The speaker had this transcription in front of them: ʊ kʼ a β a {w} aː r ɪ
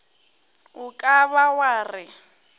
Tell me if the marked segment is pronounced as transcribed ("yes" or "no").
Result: yes